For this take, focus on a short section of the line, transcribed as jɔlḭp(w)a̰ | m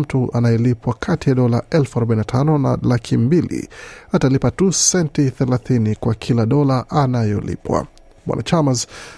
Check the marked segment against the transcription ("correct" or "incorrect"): correct